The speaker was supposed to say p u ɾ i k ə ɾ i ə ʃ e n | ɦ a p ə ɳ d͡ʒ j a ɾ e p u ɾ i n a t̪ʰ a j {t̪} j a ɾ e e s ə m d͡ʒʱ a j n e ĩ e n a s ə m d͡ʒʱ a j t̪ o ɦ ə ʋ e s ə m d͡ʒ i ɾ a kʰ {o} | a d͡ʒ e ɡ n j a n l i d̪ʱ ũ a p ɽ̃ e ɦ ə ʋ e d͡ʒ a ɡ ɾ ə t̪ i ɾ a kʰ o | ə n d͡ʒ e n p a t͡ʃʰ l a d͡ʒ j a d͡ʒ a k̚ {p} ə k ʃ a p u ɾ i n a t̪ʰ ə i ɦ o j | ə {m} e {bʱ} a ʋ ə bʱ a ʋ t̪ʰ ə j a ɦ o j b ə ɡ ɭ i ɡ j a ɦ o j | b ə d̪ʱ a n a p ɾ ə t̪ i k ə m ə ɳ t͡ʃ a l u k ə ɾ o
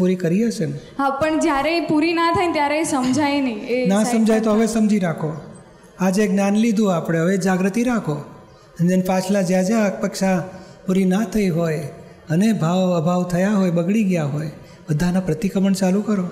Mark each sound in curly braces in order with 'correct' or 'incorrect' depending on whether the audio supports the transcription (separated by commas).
correct, correct, correct, incorrect, correct